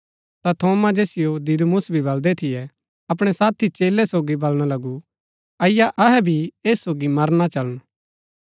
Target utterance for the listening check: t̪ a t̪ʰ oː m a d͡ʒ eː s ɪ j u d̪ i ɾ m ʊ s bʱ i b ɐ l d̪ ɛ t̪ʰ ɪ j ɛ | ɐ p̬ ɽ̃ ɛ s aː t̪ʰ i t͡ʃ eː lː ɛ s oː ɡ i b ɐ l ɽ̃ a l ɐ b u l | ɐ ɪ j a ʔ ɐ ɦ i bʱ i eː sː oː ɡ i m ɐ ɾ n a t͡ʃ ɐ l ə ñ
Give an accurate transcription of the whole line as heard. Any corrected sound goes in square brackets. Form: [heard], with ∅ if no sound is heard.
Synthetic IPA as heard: t̪ a t̪ʰ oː m a d͡ʒ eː s ɪ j [o] d̪ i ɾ m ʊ s bʱ i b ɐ l d̪ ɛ t̪ʰ ɪ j ɛ | ɐ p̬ ɽ̃ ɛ s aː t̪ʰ i t͡ʃ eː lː ɛ s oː ɡ i b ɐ l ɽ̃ a l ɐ [ɡ] u [∅] | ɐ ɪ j a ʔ ɐ ɦ [ɛ] bʱ i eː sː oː ɡ i m ɐ ɾ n a t͡ʃ ɐ l ə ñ